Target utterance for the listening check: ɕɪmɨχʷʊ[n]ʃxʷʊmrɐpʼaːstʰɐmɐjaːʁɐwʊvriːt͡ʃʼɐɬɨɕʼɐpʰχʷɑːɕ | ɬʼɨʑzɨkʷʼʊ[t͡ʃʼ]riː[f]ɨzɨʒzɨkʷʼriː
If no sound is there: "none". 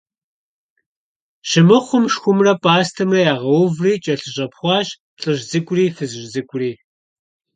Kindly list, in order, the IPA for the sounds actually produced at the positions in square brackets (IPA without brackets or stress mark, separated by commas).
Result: m, none, f